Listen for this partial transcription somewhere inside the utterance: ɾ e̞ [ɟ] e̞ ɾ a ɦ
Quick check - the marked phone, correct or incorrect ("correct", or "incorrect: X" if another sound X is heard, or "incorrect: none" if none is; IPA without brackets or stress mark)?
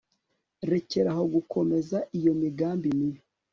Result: incorrect: c